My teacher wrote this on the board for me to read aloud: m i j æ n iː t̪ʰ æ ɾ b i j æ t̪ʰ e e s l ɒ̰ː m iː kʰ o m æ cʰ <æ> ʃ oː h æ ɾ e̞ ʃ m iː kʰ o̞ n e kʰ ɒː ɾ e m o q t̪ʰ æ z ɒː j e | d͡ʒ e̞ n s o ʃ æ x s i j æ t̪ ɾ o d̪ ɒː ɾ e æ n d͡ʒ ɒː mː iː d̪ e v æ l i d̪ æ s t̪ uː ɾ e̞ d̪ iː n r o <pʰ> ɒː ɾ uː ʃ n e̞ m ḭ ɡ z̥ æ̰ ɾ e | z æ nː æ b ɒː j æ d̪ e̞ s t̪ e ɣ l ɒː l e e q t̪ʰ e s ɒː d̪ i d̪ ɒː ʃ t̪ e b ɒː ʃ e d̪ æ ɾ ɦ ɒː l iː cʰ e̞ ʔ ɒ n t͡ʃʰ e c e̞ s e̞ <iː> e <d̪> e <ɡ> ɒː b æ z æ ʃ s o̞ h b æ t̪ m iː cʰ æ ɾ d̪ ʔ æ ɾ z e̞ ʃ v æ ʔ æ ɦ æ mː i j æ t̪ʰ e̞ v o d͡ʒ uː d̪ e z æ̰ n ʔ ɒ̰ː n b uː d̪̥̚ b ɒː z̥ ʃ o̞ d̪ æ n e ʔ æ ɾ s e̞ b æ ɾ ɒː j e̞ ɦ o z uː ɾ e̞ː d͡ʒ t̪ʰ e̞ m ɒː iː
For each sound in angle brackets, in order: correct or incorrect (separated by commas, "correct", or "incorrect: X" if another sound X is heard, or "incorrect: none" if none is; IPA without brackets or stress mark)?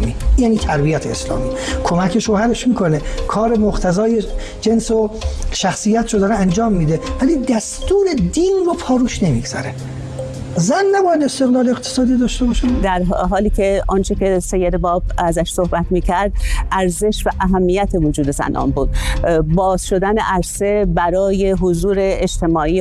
incorrect: e, correct, incorrect: jː, correct, incorrect: b